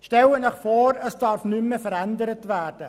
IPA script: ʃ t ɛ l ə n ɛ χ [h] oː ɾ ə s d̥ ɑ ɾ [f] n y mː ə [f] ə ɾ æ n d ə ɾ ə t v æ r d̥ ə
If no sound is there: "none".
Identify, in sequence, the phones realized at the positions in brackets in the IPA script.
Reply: f, f, f

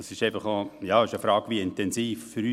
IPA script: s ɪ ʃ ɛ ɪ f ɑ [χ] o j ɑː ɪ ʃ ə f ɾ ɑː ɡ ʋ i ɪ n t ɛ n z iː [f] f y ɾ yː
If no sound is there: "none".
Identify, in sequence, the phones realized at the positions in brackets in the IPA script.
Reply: χ, f

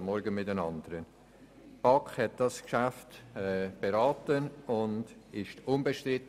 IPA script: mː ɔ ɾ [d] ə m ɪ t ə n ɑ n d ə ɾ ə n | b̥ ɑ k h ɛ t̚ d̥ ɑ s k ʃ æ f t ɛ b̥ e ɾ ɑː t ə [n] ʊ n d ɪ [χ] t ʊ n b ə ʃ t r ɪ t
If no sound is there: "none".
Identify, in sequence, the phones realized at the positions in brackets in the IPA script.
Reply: ɡ, n, ʃ

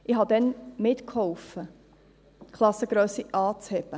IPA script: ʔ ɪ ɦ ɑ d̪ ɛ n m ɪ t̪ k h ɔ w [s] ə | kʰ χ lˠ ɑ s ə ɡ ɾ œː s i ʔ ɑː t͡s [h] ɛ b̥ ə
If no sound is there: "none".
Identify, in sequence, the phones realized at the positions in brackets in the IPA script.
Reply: f, h

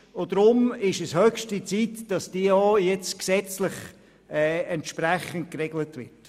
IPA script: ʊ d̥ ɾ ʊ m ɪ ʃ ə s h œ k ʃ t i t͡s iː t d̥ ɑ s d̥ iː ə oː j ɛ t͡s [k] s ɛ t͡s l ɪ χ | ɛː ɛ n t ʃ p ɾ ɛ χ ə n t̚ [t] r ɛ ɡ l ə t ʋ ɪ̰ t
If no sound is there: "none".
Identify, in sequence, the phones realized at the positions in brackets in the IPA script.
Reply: k, k

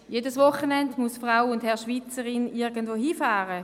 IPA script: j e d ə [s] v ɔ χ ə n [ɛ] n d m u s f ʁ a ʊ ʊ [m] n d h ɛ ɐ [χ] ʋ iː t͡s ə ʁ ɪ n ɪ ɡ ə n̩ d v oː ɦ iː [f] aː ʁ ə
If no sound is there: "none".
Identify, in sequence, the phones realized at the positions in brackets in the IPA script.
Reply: s, ɛ, none, ʃ, f

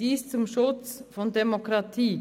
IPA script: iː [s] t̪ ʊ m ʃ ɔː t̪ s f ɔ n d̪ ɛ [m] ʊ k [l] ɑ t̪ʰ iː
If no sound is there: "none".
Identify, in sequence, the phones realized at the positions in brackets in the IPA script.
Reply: s, m, ɾ

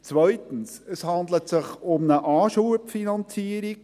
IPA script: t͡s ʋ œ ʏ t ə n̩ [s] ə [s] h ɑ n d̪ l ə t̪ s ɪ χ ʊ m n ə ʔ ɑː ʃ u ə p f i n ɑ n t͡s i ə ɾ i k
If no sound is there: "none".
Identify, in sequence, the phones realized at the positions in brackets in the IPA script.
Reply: s, s

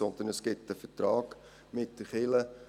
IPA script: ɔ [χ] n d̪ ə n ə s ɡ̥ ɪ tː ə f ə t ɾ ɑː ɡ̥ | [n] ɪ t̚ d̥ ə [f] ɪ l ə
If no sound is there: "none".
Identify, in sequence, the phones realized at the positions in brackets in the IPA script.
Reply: none, m, χ

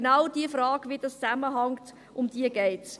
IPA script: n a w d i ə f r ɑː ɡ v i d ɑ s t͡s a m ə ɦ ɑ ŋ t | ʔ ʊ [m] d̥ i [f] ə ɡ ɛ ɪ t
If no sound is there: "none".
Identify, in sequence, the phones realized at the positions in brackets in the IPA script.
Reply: m, none

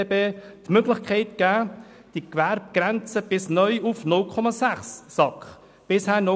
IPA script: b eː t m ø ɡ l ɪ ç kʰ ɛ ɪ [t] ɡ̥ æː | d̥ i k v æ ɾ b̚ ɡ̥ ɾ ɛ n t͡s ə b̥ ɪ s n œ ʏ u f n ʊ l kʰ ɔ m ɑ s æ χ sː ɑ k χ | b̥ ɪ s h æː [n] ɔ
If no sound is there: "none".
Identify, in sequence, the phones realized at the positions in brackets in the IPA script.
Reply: t, n

